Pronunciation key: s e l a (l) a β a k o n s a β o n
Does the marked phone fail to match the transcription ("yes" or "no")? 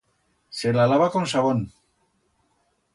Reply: no